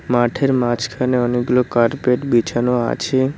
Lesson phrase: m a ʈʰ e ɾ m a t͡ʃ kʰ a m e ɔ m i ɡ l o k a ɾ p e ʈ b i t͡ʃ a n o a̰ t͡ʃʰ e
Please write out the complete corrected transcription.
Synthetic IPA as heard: m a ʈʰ e ɾ m a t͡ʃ kʰ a n e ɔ n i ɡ l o k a ɾ p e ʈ b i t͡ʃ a n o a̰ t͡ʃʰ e